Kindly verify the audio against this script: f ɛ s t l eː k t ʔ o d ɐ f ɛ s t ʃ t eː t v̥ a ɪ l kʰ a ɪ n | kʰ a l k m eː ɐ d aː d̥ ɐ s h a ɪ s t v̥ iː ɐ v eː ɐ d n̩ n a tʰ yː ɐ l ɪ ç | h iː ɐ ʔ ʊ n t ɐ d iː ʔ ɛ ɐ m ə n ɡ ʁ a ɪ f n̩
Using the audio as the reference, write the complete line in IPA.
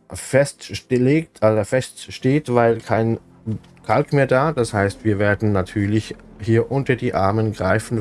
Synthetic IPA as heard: f ɛ s t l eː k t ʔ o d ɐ f ɛ s t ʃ t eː t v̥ a ɪ l kʰ a ɪ n | kʰ a l k m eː ɐ d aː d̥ a s h a ɪ s t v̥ iː ɐ v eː ɐ d n̩ n a tʰ yː ɐ l ɪ ç | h iː ɐ ʔ ʊ n t ɐ d iː ʔ a ɐ m ə n ɡ ʁ a ɪ f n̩